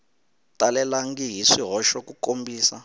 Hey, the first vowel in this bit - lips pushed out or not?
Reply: no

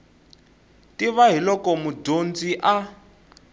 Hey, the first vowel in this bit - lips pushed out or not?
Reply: no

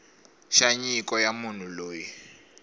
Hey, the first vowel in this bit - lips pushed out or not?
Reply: no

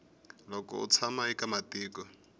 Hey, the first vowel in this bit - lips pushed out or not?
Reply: yes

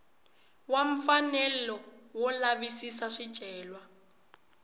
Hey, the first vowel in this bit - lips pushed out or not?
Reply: no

